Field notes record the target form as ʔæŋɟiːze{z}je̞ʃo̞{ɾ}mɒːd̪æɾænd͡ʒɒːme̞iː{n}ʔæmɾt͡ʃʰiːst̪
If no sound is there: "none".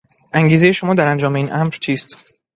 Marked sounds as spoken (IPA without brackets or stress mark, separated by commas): none, none, n